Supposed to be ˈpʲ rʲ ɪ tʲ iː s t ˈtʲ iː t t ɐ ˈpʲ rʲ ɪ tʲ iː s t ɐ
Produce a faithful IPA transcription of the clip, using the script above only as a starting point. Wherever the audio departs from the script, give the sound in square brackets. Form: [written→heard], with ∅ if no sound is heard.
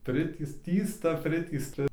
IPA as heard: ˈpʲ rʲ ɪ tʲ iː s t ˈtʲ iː [t→s] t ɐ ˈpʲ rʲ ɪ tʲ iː s t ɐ

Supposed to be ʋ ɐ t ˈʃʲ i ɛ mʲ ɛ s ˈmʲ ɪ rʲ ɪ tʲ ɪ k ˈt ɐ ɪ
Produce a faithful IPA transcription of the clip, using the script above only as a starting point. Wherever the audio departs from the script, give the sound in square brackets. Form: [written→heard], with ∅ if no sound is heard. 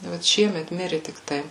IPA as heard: ʋ ɐ t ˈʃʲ i ɛ mʲ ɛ [s→t] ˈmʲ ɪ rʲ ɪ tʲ ɪ k ˈt ɐ ɪ

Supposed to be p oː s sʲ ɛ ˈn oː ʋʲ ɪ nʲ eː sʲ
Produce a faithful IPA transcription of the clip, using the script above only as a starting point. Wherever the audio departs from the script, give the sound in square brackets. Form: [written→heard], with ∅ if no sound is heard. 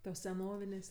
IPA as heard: [p→t] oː s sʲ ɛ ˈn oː ʋʲ ɪ nʲ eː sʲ

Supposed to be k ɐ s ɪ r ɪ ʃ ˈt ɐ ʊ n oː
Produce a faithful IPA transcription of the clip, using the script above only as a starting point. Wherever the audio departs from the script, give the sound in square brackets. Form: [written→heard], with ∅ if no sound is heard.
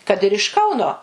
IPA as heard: k ɐ [s→t] ɪ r ɪ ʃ [ˈt→ˈk] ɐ ʊ n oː

